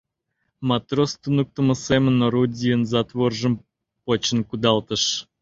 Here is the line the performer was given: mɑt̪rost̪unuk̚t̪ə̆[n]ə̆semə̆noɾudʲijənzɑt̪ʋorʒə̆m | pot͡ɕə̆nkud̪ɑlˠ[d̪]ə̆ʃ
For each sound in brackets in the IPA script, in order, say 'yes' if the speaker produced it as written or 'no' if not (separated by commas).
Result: no, no